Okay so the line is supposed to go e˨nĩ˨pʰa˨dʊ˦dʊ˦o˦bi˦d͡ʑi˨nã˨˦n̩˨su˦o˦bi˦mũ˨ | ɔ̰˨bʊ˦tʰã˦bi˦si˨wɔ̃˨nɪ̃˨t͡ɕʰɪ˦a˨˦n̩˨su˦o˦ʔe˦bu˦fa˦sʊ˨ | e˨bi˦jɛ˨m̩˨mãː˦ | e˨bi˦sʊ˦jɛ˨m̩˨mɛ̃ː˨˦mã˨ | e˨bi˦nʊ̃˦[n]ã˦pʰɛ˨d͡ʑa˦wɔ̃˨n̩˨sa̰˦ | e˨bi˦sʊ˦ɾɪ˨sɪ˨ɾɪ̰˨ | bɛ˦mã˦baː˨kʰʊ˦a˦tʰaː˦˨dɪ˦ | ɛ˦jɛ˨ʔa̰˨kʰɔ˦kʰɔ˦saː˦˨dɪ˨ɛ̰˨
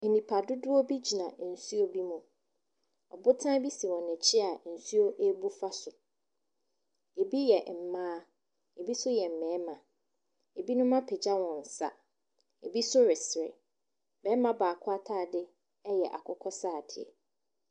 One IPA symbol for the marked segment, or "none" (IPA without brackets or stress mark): m